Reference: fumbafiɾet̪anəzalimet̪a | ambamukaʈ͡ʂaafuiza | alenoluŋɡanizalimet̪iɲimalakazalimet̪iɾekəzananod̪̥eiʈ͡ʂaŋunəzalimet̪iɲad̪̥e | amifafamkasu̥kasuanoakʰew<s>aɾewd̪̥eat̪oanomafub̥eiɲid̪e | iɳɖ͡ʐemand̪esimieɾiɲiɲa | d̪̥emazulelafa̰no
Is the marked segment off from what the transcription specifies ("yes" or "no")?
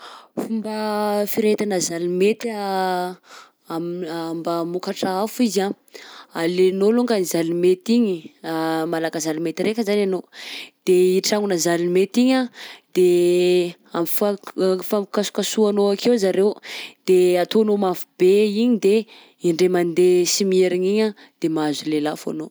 yes